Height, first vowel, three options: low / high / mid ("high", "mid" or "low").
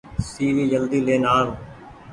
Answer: high